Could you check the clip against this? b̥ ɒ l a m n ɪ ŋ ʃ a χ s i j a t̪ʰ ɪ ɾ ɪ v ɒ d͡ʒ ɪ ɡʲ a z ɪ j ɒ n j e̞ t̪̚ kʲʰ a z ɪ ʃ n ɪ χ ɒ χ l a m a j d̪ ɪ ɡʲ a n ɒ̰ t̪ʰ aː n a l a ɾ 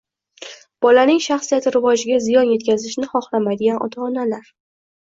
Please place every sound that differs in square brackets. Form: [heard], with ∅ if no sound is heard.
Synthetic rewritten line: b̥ ɒ l a [∅] n ɪ ŋ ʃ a χ s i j a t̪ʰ ɪ ɾ ɪ v ɒ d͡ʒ ɪ ɡʲ a z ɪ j ɒ n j e̞ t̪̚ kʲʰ a z ɪ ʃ n ɪ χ ɒ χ l a m a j d̪ ɪ ɡʲ a n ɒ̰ t̪ʰ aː n a l a ɾ